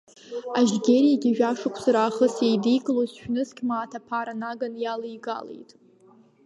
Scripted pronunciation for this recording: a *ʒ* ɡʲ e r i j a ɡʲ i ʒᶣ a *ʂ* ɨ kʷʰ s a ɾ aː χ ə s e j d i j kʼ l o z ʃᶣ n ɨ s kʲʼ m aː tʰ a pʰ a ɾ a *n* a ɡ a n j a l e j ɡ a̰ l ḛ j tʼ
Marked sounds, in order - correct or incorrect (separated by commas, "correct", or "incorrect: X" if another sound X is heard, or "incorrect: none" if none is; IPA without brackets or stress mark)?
correct, correct, correct